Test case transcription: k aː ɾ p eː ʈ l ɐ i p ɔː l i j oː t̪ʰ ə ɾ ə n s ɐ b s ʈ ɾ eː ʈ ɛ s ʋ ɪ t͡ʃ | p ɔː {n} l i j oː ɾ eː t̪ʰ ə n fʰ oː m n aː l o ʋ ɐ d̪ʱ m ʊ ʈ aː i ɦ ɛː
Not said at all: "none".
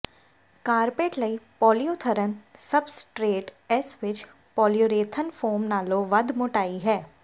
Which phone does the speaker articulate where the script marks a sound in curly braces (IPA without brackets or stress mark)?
none